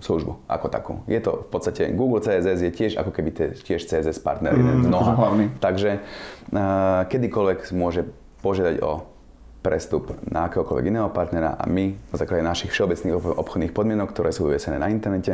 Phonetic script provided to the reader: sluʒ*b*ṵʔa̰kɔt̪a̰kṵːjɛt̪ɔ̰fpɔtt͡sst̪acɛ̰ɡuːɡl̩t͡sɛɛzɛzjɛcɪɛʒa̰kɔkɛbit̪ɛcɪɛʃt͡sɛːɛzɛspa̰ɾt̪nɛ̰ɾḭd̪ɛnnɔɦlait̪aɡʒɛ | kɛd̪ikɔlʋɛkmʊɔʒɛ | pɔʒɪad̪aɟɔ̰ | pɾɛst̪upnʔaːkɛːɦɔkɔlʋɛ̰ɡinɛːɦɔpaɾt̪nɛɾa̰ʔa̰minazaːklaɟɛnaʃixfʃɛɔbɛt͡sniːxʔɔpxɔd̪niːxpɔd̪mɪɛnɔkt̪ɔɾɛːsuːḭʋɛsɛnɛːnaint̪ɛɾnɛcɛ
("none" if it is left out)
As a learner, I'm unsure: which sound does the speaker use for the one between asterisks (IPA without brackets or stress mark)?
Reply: b